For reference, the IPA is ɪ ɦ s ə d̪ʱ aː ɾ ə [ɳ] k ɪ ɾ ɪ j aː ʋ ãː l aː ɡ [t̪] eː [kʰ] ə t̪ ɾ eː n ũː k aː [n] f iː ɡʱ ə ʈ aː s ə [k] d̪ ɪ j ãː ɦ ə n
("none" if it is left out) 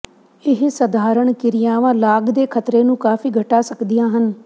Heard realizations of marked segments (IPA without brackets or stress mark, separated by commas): ɳ, d̪, kʰ, none, k